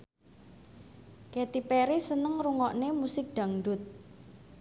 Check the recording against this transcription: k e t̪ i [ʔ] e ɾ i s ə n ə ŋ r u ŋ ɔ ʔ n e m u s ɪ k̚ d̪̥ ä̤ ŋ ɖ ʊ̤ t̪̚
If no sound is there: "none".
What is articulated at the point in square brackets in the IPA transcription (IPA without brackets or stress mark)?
p